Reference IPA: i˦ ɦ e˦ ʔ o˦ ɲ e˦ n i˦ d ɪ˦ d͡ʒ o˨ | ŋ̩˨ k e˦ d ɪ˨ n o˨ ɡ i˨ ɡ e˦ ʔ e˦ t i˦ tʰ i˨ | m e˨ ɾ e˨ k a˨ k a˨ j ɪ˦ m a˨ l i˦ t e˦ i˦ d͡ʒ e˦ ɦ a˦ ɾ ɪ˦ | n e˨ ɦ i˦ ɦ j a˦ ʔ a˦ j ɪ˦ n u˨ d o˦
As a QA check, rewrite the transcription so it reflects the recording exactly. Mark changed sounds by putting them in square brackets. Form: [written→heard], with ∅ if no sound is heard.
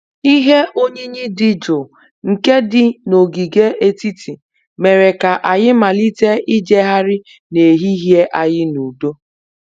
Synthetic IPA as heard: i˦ ɦ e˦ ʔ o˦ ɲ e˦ [n→ɲ] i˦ d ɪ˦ d͡ʒ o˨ | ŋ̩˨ k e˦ d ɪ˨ n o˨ ɡ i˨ ɡ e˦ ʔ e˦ t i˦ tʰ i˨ | m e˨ ɾ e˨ k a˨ [k→ʔ] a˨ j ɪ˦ m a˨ l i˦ t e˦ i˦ d͡ʒ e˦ ɦ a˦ ɾ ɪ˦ | n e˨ ɦ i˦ ɦ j [a˦→e˦] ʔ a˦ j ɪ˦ n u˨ d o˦